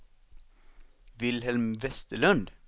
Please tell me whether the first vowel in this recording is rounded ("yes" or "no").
no